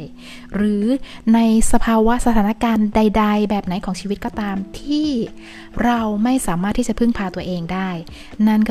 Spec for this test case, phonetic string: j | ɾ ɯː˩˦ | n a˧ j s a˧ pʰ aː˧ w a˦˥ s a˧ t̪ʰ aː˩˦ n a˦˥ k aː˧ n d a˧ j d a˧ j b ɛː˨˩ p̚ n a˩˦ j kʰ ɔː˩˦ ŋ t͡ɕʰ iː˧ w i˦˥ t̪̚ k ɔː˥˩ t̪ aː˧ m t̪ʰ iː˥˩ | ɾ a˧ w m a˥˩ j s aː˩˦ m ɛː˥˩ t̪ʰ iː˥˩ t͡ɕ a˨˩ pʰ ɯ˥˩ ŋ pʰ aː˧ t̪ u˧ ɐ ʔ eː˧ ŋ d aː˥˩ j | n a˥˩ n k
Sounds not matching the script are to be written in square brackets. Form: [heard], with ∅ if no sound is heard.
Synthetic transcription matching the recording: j | ɾ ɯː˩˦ | n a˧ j s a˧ pʰ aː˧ w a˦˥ s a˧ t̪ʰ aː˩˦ n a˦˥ k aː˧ n d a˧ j d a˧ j b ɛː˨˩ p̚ n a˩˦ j kʰ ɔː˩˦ ŋ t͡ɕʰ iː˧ w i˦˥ t̪̚ k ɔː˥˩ t̪ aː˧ m t̪ʰ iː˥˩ | ɾ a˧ w m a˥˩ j s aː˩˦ m [aː˥˩] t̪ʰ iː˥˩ t͡ɕ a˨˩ pʰ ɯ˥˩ ŋ pʰ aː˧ t̪ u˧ ɐ ʔ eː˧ ŋ d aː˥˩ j | n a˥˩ n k